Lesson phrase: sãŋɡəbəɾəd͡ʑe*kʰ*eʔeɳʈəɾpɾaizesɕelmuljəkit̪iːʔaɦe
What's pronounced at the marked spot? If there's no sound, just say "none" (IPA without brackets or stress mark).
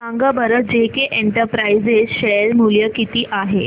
k